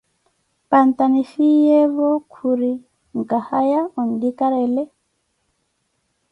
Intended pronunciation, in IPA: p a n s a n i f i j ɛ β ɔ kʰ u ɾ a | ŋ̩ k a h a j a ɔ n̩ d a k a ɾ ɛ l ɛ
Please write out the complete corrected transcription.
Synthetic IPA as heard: p a n t a n i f i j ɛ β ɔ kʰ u ɾ i | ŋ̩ k a h a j a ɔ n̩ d i k a ɾ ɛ l ɛ